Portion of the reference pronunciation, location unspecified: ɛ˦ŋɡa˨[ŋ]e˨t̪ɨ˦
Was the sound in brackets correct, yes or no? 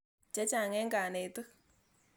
no